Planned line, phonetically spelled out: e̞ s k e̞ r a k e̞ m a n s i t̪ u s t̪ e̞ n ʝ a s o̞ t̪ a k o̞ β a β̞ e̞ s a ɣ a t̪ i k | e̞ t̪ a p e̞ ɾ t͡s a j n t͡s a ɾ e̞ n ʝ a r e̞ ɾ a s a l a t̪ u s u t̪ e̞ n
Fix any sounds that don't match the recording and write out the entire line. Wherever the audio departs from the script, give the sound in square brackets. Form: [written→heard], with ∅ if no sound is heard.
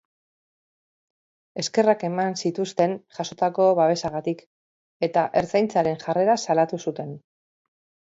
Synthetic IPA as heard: e̞ s k e̞ r a k e̞ m a n s i t̪ u s t̪ e̞ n ʝ a s o̞ t̪ a k o̞ β a β̞ e̞ s a ɣ a t̪ i k | e̞ t̪ a [p→ʔ] e̞ ɾ t͡s a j n t͡s a ɾ e̞ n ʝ a r e̞ ɾ a s a l a t̪ u s u t̪ e̞ n